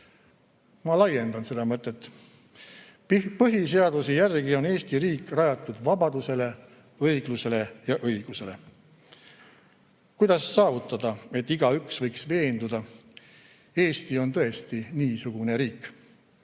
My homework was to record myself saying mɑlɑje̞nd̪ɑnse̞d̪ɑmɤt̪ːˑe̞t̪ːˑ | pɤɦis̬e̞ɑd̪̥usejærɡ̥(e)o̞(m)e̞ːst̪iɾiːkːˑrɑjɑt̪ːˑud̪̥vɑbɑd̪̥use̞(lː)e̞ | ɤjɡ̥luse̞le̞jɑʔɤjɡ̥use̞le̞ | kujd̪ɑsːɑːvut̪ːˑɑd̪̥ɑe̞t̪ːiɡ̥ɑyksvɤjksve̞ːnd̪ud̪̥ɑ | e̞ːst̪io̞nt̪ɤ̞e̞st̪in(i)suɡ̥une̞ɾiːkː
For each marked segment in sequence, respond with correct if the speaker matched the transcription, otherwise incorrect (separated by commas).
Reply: incorrect, incorrect, incorrect, incorrect